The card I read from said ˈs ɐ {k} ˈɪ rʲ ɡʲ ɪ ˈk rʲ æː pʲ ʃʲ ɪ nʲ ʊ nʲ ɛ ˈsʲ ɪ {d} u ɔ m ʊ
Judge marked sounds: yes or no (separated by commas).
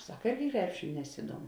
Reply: yes, yes